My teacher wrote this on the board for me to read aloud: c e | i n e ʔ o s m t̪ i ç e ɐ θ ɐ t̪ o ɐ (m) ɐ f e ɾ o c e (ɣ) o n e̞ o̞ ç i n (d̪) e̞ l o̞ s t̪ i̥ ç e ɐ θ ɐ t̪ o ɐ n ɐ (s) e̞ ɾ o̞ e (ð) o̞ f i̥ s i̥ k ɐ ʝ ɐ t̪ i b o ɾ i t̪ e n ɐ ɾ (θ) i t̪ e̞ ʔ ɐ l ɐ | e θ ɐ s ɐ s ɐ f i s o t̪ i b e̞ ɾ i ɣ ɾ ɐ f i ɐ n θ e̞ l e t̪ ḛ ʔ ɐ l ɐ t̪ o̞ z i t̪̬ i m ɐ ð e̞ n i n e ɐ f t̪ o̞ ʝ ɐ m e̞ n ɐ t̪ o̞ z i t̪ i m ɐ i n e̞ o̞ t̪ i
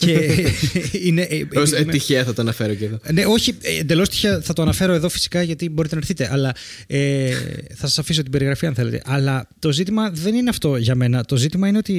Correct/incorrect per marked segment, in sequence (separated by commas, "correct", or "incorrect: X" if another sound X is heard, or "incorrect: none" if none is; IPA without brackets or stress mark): incorrect: n, incorrect: ð, correct, incorrect: f, correct, correct